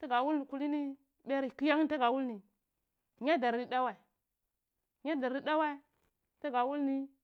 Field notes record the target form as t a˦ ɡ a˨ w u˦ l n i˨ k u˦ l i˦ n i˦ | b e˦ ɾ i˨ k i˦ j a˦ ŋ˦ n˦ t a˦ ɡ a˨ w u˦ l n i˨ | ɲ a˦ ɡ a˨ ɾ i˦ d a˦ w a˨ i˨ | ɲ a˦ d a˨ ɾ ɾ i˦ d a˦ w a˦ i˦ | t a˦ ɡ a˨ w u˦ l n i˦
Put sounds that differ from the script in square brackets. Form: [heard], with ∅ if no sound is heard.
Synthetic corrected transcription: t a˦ ɡ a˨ w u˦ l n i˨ k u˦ l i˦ n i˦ | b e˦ ɾ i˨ k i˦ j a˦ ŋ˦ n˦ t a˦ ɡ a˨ w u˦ l n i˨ | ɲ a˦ [d] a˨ ɾ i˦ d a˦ w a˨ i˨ | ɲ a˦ d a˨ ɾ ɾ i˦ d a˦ w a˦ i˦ | t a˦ ɡ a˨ w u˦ l n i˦

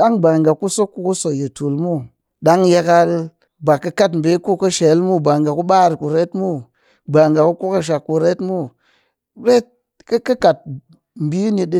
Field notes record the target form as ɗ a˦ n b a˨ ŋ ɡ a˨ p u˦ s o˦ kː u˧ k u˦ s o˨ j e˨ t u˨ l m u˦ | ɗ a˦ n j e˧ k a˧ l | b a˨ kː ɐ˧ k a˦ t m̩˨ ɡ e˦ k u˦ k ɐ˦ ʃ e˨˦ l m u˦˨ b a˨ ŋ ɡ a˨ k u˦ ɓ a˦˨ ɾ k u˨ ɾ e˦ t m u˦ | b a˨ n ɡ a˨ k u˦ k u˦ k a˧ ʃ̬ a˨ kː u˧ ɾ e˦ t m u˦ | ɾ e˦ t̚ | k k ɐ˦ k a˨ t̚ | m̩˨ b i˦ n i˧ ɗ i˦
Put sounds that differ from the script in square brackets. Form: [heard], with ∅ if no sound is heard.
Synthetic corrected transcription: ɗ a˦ [ŋ] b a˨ ŋ ɡ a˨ [k] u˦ s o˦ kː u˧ k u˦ s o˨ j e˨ t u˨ l m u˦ | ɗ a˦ [ŋ] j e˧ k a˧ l | b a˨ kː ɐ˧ k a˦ t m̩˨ [b] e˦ k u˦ k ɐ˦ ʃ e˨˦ l m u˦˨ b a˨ ŋ ɡ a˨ k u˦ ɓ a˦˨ ɾ k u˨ ɾ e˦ t m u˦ | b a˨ [ŋ] ɡ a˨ k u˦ k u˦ k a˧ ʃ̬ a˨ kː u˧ ɾ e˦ t m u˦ | ɾ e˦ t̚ | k k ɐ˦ k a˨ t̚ | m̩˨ b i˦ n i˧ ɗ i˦

